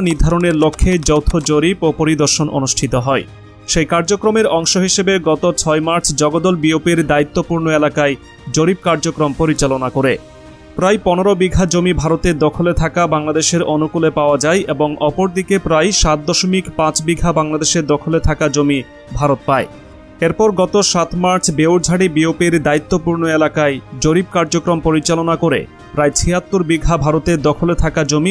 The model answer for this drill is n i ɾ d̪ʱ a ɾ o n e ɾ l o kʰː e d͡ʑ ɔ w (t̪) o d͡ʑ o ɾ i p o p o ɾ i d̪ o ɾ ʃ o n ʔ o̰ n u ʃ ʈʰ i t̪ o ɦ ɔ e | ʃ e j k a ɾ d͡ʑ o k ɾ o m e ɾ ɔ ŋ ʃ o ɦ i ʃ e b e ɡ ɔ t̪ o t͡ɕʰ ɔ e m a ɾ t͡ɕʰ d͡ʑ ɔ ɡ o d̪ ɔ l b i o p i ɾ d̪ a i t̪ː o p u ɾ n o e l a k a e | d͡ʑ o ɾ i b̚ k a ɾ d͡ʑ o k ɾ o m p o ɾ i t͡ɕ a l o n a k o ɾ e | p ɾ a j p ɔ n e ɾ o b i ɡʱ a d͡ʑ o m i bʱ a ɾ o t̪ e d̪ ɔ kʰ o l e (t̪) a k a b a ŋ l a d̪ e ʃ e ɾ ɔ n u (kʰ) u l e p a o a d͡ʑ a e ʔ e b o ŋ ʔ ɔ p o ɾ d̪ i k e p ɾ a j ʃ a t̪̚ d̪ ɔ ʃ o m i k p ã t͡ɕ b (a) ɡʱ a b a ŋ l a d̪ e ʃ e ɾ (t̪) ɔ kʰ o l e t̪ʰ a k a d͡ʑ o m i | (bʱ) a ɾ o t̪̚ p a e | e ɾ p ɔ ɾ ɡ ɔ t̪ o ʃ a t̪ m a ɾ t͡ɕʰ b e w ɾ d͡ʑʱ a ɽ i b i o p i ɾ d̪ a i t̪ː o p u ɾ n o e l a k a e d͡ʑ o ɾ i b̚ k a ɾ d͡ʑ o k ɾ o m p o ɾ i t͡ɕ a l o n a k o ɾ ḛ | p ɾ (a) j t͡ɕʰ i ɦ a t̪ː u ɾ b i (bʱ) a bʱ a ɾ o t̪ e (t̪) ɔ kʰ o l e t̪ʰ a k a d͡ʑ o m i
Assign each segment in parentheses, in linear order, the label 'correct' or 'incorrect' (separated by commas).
incorrect, incorrect, incorrect, incorrect, incorrect, correct, correct, incorrect, incorrect